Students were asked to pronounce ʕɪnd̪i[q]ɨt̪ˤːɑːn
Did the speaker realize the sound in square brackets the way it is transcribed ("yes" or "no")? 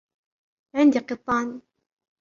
yes